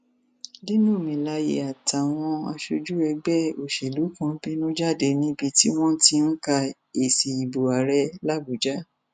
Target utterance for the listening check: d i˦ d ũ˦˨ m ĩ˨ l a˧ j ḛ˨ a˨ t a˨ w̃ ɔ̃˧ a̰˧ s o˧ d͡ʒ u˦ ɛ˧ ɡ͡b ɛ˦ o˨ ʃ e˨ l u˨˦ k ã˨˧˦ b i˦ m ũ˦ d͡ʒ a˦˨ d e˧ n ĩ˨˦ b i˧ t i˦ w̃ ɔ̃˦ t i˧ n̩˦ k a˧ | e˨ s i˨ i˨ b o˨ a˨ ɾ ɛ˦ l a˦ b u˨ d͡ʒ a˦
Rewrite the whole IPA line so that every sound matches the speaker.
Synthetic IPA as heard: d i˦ n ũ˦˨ m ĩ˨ l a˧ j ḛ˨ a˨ t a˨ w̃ ɔ̃˧ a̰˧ ʃ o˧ d͡ʒ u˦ ɛ˧ ɡ͡b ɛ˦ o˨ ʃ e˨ l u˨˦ k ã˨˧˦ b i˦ n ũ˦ d͡ʒ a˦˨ d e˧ n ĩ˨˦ b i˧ t i˦ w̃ ɔ̃˦ t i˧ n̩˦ k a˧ | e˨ s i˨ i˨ b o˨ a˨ ɾ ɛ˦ l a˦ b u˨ d͡ʒ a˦